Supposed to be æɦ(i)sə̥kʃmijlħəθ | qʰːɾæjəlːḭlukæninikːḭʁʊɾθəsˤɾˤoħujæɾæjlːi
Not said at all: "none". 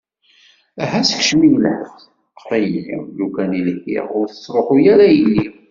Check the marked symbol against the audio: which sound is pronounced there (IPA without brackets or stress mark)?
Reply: æ